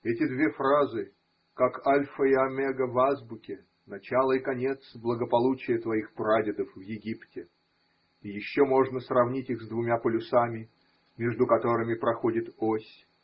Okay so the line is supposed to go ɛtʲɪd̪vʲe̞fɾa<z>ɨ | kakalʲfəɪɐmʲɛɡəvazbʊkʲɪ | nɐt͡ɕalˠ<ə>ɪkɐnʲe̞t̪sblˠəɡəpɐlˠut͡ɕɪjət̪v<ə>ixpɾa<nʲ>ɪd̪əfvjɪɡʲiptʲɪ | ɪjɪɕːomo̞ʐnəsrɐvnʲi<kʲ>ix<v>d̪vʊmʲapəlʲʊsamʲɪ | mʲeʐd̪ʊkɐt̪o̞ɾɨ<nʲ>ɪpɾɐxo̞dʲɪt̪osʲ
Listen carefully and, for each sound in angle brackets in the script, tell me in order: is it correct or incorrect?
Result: correct, correct, incorrect, incorrect, incorrect, incorrect, incorrect

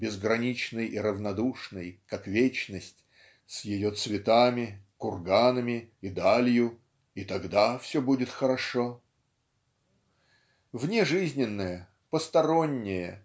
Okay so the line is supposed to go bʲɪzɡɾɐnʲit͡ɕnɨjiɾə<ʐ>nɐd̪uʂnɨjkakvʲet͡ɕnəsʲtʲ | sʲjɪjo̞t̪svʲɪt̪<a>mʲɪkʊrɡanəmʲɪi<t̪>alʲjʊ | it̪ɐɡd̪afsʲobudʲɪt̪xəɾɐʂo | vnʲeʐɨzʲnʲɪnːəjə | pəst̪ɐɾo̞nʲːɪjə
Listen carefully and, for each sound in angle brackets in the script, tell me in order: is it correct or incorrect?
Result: incorrect, correct, incorrect

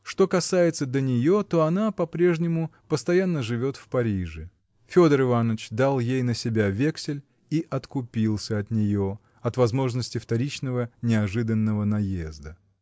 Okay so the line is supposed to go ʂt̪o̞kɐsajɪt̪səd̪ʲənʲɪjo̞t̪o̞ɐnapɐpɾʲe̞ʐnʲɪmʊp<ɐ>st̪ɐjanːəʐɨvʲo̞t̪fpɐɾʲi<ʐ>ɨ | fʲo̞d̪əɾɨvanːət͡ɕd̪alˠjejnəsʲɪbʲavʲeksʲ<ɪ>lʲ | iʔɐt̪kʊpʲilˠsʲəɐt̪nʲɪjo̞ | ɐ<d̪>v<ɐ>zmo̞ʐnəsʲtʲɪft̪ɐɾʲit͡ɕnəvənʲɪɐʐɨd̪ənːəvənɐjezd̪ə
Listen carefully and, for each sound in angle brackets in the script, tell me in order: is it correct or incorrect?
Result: incorrect, correct, correct, incorrect, correct

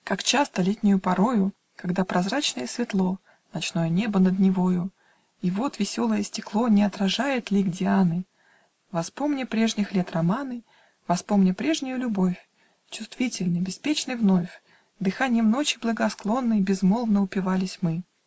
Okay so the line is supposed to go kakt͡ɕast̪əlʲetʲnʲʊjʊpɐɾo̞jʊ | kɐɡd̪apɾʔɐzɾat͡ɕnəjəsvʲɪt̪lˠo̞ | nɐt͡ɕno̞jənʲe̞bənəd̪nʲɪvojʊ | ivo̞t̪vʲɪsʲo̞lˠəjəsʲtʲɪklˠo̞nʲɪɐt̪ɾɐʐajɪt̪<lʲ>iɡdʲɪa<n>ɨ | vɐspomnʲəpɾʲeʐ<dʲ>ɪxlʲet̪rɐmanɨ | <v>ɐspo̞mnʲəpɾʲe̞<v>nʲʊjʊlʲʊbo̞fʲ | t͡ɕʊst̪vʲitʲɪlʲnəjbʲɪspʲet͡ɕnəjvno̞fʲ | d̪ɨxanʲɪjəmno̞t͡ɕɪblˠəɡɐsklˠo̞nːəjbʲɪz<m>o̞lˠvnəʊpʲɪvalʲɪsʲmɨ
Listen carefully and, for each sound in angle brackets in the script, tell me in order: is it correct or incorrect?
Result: correct, correct, incorrect, correct, incorrect, correct

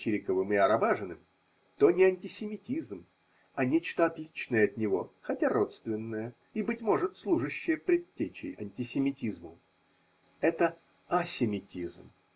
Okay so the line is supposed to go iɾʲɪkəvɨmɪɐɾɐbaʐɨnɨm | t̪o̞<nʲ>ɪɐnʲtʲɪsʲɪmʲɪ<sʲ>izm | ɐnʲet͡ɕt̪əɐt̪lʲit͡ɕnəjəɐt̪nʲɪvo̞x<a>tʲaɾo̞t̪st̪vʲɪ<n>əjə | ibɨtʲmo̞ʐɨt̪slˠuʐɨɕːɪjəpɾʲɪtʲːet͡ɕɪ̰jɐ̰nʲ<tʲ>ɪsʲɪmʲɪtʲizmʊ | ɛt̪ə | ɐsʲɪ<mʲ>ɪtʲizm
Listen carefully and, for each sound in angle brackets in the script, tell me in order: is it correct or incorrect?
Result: correct, incorrect, incorrect, incorrect, correct, correct

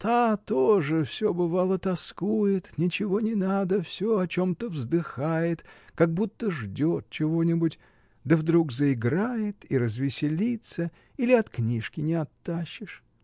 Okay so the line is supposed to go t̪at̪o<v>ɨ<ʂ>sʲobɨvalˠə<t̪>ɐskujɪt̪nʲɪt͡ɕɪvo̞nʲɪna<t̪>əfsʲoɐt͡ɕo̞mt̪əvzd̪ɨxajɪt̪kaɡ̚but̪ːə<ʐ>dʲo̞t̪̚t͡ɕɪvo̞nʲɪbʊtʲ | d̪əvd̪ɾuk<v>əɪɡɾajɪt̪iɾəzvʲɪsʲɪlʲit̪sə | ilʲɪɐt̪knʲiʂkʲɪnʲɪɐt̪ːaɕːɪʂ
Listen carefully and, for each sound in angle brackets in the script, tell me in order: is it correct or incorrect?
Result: incorrect, incorrect, correct, incorrect, correct, incorrect

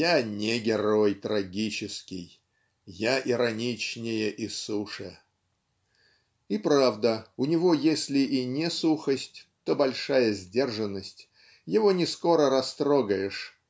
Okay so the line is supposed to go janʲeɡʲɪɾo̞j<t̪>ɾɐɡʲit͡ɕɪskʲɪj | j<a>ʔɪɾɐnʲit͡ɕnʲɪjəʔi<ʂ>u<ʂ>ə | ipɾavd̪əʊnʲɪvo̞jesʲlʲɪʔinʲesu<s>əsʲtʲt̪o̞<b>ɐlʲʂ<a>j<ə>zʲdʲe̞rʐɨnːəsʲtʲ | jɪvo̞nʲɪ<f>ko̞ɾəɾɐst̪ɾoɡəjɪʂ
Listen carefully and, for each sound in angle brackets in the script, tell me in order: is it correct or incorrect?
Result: correct, correct, incorrect, correct, incorrect, correct, correct, correct, incorrect

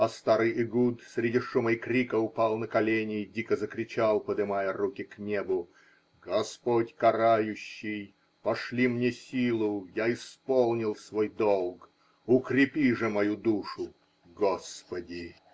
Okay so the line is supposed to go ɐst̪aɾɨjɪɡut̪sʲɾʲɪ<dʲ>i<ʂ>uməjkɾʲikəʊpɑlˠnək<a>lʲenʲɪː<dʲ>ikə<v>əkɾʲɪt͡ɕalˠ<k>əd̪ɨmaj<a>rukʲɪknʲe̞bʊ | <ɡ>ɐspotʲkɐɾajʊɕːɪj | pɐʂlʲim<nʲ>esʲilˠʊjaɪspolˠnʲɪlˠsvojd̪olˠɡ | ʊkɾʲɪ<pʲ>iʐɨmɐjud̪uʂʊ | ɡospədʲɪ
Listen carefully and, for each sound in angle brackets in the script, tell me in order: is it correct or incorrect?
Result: correct, correct, incorrect, correct, incorrect, incorrect, incorrect, correct, correct, correct

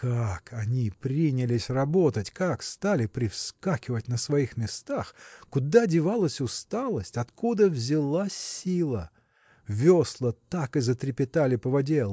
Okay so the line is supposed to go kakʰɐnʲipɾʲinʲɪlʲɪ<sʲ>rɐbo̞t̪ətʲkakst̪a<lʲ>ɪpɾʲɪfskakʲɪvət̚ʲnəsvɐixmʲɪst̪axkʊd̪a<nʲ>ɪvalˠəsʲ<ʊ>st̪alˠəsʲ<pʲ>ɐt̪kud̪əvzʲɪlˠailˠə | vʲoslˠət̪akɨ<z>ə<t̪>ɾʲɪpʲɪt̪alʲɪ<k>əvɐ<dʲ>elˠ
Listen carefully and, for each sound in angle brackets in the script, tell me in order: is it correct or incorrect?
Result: correct, correct, incorrect, correct, incorrect, correct, correct, incorrect, correct

